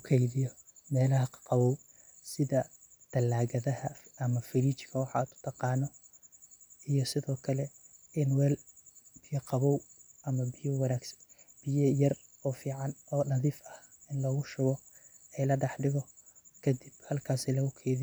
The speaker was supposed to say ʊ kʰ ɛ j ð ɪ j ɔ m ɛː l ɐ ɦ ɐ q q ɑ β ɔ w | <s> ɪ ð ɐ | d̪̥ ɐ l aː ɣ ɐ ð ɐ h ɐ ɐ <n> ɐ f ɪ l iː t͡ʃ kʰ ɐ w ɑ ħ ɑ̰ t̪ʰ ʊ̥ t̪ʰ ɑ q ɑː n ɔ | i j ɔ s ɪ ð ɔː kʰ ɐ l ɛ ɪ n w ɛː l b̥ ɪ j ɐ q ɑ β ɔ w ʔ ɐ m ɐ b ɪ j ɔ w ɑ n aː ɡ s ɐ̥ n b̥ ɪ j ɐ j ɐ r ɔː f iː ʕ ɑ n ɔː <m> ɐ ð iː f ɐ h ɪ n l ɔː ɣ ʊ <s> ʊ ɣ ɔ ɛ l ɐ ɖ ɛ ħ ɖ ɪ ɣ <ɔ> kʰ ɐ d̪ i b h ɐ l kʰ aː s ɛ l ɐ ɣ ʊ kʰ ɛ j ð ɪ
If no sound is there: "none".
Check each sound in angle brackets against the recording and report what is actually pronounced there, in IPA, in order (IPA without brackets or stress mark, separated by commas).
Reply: s, m, n, ʃ, ɔ